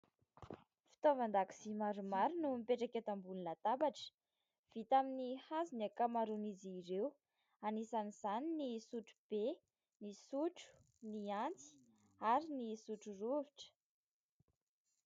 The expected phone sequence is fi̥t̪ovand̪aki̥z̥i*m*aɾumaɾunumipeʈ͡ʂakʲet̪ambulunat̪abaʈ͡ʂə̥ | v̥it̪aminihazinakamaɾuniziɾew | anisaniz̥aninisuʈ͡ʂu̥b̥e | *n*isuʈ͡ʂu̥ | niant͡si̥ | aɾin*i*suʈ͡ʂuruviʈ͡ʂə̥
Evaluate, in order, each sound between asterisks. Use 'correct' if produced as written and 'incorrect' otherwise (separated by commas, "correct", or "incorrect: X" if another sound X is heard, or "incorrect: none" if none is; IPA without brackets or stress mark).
correct, correct, correct